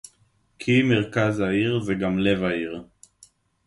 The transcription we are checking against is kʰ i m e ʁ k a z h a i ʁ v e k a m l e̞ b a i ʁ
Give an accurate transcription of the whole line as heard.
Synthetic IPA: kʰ i m e ʁ k a z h a i ʁ z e ɡ a m l e̞ v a i ʁ